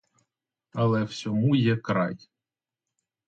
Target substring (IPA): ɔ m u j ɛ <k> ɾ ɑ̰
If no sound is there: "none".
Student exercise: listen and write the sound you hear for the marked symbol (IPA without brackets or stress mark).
k